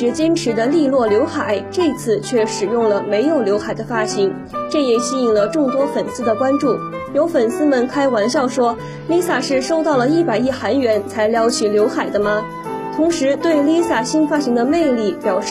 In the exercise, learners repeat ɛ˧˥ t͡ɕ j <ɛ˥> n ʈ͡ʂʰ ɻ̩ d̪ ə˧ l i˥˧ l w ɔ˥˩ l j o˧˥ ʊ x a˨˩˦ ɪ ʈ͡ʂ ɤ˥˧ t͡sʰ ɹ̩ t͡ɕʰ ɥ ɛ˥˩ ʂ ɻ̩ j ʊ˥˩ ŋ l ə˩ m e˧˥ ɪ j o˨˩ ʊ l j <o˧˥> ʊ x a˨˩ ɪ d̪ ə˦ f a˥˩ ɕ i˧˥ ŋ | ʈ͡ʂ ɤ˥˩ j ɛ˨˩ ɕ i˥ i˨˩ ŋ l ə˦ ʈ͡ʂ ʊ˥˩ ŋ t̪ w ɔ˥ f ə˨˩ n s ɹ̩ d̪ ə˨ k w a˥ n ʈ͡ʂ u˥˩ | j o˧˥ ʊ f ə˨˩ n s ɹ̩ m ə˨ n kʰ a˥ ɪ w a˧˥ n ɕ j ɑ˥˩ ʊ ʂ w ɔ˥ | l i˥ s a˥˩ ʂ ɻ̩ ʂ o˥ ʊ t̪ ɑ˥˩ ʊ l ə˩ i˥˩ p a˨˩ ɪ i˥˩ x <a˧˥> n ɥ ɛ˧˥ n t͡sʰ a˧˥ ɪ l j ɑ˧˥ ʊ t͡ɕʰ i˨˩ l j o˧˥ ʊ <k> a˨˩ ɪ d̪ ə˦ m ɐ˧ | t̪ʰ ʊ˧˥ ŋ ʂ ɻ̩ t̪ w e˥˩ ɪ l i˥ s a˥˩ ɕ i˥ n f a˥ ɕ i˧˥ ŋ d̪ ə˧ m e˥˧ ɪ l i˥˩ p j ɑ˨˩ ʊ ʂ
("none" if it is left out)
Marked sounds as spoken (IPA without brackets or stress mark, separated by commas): ɛ˥, o˧˥, a˧˥, x